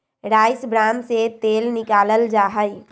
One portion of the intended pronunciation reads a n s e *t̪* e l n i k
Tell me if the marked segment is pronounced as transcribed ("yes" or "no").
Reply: yes